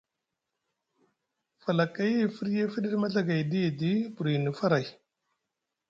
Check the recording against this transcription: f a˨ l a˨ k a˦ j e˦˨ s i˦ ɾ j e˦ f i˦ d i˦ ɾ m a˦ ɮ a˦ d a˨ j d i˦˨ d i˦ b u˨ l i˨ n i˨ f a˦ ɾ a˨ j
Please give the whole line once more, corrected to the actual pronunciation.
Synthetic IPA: f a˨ l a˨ k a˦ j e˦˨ f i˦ ɾ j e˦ f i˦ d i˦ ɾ m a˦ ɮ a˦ ɡ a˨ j d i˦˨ d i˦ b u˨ ɾ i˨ n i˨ f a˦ ɾ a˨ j